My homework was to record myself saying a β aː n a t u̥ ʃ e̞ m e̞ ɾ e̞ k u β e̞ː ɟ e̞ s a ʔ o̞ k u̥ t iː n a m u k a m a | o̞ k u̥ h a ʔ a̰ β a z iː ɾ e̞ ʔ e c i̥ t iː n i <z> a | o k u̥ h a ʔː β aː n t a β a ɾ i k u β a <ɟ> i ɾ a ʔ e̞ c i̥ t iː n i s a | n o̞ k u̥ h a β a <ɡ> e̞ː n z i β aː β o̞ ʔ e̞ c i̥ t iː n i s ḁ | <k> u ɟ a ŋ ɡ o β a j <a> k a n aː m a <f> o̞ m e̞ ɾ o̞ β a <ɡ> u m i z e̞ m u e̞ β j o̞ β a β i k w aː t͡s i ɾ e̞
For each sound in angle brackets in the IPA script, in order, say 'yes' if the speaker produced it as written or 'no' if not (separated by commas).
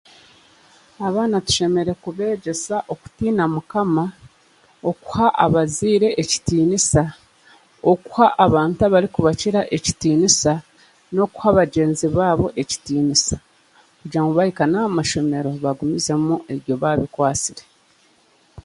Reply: no, no, no, yes, no, no, yes